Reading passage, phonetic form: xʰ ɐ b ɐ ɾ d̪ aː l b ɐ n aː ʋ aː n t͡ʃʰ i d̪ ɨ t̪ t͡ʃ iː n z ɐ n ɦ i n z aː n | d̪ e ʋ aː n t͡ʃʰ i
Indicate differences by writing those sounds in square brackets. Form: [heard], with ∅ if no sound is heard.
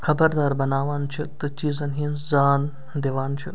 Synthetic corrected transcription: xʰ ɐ b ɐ ɾ d̪ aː [ɾ] b ɐ n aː ʋ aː n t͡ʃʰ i [t̪] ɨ [∅] t͡ʃ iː [∅] z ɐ n ɦ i n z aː n | d̪ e ʋ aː n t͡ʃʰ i